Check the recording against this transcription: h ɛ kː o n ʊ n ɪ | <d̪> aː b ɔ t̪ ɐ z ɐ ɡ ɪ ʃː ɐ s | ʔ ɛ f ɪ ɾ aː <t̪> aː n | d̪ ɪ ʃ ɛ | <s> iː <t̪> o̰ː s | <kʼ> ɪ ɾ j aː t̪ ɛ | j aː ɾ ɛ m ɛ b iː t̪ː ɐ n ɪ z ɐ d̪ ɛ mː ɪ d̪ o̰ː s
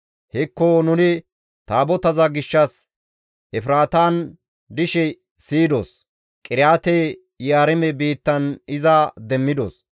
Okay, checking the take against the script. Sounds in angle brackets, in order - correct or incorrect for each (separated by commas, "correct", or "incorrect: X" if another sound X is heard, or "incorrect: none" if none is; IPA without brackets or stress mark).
incorrect: t̪, correct, correct, incorrect: d̪, correct